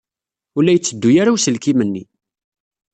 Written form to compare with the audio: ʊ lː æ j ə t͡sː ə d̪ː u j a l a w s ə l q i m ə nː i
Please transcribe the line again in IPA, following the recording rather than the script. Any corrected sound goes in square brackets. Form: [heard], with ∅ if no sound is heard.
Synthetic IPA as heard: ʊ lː æ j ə t͡sː ə d̪ː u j a [ɾ] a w s ə l [k] i m ə nː i